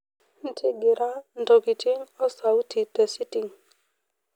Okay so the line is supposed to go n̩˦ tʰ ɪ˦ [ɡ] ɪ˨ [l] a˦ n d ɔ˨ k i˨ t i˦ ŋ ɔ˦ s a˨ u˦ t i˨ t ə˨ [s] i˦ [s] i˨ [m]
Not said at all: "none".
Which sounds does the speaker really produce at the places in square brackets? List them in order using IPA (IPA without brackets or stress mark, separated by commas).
ɡ, ɾ, s, t, ŋ